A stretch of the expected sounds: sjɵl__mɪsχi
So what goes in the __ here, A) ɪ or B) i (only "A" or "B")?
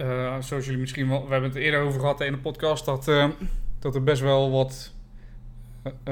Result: B